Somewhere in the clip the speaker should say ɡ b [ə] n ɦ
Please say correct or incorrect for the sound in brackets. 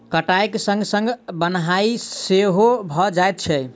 correct